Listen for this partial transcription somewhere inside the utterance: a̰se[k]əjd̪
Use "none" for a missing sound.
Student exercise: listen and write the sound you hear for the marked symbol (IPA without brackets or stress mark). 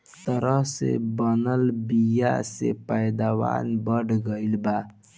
p